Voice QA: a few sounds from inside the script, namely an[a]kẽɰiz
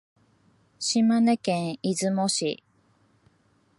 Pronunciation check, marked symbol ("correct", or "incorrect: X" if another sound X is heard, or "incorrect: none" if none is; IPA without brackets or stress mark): incorrect: e